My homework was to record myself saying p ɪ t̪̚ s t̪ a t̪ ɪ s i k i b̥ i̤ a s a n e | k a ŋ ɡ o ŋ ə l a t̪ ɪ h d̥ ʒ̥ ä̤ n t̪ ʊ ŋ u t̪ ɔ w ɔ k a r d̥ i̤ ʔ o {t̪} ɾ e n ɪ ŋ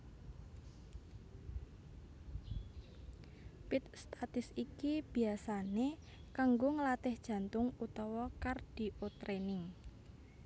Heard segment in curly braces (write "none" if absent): t̪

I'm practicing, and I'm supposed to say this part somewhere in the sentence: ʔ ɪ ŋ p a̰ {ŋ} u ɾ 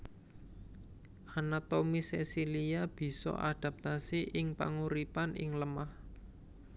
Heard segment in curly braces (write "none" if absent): ŋ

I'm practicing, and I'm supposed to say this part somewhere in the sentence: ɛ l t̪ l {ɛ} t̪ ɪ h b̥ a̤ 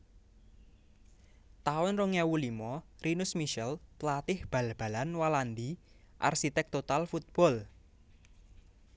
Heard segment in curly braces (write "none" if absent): a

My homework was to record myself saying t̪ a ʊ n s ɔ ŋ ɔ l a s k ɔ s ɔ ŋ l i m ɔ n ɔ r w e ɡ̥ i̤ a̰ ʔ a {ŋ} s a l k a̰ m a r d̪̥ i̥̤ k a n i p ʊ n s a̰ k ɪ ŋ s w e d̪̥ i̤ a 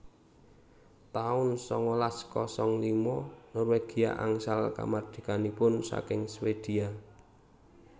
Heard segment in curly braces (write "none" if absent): ŋ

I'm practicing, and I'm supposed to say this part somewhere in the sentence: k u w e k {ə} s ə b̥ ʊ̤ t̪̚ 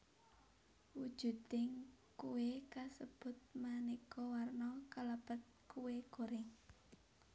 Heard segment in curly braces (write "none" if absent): a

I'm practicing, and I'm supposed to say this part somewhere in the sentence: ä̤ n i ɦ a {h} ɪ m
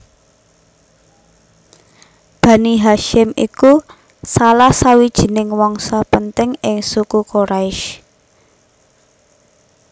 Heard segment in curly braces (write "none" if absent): ʃ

